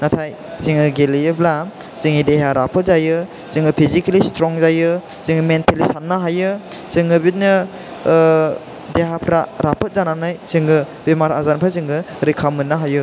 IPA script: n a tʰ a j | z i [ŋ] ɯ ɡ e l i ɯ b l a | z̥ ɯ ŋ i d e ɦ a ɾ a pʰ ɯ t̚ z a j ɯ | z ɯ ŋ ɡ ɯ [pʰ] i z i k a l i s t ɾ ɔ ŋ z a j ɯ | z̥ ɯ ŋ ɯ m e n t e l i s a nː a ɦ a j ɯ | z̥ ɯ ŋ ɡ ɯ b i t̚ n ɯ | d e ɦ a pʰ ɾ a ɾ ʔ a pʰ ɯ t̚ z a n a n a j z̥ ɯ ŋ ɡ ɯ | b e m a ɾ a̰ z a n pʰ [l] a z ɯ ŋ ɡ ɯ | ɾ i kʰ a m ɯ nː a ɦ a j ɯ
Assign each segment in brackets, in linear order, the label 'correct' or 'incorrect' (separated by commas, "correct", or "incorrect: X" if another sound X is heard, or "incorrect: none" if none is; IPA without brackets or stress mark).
correct, correct, incorrect: ɾ